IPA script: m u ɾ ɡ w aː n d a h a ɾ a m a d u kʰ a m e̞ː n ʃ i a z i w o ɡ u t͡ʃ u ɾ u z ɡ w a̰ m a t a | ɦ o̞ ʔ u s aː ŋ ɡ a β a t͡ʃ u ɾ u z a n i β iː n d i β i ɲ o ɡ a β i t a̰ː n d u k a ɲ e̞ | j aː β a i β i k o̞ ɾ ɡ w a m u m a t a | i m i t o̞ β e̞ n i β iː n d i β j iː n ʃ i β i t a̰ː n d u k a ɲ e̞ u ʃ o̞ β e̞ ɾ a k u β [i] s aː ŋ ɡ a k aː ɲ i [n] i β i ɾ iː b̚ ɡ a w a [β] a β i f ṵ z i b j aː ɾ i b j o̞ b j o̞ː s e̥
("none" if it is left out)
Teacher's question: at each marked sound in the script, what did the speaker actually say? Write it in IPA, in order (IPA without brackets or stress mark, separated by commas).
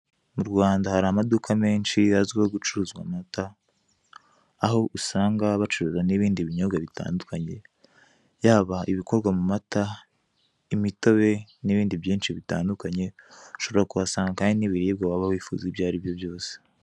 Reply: a, n, β